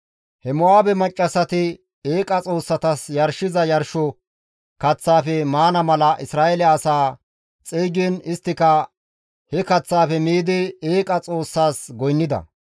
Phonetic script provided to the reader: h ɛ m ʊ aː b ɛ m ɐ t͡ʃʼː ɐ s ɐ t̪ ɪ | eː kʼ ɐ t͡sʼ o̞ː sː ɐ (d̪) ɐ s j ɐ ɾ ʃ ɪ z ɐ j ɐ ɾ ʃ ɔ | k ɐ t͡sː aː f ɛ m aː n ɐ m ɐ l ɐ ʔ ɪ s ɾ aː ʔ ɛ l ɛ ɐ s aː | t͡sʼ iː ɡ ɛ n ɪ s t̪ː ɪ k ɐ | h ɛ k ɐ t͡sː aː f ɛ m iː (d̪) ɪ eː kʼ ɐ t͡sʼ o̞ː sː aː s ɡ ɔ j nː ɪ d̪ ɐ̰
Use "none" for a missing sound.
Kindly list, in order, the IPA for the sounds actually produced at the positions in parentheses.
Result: t̪, d̪

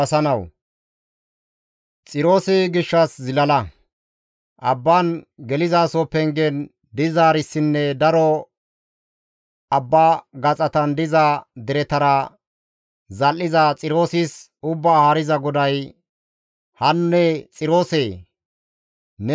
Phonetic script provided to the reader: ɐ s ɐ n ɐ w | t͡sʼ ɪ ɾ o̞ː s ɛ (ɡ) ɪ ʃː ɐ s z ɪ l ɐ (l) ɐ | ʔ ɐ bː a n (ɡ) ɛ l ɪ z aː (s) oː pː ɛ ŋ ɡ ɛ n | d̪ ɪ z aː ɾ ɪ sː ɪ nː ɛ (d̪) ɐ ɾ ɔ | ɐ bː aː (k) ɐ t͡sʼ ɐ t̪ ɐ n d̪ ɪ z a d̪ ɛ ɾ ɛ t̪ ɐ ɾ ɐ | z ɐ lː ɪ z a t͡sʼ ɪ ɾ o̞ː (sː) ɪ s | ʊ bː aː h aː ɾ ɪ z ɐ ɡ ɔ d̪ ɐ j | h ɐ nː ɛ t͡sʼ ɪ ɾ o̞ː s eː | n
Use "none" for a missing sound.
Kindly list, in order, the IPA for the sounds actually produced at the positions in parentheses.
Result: ɡ, l, ɡ, s, d̪, ɡ, s

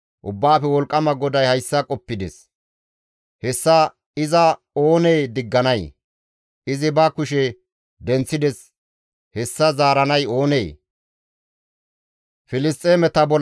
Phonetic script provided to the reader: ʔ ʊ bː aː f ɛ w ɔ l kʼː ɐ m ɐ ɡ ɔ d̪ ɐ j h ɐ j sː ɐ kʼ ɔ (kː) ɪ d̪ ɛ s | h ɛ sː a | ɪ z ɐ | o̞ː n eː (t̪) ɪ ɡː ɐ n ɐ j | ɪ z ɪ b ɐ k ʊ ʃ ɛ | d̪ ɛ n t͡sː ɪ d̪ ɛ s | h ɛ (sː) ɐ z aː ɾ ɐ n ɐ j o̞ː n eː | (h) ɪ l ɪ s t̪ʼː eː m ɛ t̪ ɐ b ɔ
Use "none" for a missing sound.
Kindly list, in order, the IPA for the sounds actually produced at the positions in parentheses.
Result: pː, d̪, sː, f

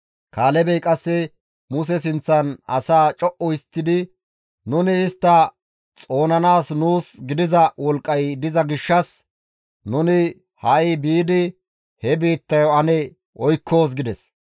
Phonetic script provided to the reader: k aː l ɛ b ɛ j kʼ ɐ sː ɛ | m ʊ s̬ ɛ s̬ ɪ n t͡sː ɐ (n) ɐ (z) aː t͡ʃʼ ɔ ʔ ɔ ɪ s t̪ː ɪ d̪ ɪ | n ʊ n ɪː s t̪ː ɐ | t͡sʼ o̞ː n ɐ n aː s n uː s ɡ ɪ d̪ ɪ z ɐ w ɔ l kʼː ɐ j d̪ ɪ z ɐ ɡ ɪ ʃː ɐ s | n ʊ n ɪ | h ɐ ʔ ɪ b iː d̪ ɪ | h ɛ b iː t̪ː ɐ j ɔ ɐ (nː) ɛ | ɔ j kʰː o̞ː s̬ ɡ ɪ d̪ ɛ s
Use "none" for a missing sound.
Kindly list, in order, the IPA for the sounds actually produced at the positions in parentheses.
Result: n, s, n

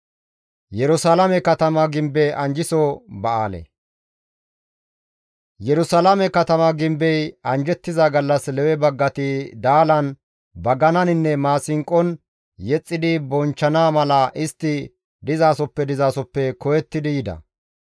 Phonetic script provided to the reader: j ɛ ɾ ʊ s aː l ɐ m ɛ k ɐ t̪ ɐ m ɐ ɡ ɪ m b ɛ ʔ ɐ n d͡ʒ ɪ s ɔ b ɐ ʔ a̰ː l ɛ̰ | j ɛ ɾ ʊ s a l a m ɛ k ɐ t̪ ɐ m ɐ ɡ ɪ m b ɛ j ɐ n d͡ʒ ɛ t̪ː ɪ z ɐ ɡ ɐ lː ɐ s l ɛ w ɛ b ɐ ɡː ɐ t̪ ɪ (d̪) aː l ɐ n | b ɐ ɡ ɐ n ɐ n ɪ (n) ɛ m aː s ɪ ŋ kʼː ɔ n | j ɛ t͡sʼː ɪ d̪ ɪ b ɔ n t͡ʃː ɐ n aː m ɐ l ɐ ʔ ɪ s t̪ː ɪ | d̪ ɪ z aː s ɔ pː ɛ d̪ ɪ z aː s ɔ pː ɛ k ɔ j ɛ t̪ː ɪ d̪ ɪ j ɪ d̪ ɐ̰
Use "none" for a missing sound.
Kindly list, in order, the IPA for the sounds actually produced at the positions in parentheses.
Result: d̪, nː

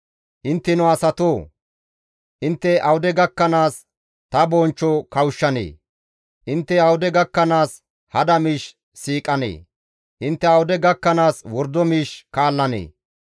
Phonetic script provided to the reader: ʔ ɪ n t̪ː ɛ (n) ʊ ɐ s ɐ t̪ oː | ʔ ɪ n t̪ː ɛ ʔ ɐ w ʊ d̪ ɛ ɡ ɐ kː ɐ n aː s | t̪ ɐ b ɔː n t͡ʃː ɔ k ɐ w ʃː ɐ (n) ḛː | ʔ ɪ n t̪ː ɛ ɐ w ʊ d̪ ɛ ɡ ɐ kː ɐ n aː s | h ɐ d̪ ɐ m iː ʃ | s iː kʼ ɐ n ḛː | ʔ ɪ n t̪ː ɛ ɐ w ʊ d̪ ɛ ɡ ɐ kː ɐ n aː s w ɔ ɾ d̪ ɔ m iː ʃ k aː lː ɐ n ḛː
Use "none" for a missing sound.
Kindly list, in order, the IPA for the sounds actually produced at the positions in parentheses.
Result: n, n

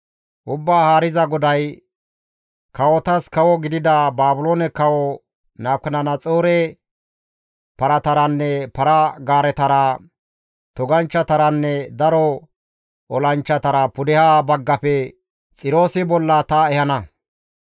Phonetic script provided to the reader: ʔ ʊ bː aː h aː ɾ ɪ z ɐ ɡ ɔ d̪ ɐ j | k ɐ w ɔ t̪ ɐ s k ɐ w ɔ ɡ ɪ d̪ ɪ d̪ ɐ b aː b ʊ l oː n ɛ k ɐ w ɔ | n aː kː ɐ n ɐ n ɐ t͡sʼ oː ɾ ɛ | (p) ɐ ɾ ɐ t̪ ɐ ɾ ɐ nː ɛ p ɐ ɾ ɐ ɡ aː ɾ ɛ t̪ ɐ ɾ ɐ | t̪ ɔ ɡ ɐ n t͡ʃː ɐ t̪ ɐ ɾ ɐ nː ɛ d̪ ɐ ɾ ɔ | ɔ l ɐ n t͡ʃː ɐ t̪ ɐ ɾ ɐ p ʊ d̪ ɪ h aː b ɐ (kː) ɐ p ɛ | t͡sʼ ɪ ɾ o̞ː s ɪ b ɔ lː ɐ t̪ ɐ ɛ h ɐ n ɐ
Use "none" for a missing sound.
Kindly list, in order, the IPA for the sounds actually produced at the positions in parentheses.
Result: p, ɡː

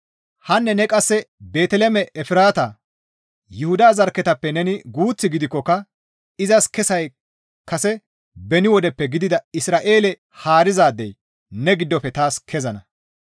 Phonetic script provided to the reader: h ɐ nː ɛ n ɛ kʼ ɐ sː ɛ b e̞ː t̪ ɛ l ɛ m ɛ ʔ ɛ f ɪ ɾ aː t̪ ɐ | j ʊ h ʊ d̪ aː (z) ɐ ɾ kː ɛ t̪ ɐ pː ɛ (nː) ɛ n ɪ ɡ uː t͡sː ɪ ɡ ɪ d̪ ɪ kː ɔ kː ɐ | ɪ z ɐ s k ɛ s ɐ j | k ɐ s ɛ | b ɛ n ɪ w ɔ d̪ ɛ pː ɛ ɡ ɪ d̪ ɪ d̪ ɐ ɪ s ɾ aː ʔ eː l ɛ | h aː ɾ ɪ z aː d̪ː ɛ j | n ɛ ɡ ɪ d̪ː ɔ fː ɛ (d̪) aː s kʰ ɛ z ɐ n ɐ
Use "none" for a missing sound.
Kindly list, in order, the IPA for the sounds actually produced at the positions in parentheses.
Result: z, n, t̪

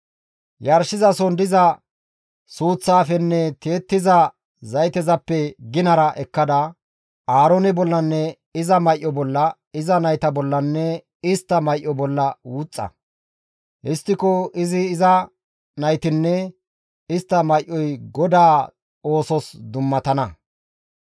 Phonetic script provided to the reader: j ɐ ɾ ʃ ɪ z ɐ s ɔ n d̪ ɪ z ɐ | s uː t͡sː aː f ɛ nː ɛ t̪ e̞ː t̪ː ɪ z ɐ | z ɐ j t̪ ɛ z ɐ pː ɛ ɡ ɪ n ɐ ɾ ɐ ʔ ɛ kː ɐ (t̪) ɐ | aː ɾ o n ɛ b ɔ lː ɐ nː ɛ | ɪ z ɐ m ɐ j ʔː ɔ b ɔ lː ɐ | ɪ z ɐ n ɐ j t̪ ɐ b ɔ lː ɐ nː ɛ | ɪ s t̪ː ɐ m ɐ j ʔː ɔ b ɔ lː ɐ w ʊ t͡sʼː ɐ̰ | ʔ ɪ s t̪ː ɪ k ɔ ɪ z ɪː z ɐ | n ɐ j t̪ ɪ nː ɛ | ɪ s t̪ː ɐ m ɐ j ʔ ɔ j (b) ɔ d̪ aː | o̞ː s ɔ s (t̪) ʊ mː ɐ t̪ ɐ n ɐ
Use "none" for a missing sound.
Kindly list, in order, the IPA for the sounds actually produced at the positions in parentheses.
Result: d̪, ɡ, d̪

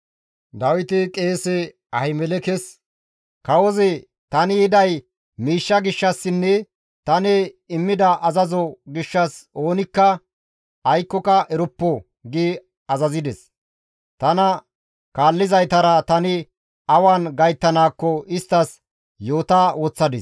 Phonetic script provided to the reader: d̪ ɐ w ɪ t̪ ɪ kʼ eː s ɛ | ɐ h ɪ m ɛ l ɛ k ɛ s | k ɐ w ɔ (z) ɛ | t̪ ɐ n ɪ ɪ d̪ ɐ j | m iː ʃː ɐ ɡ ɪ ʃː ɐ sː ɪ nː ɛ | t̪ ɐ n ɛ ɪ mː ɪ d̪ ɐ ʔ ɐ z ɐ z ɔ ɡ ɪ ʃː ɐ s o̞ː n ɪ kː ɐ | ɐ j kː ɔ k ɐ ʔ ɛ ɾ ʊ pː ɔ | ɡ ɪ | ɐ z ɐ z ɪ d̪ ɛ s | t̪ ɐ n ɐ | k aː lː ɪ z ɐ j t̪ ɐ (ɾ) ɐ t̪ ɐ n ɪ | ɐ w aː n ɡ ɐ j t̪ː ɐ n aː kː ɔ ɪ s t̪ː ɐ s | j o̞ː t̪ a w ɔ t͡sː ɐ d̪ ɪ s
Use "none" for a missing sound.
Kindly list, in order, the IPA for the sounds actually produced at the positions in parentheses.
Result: z, ɾ

